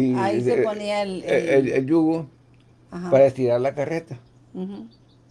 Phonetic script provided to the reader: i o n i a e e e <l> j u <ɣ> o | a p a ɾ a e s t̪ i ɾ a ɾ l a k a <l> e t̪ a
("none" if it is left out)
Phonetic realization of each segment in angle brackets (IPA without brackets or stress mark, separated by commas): l, ɣ, r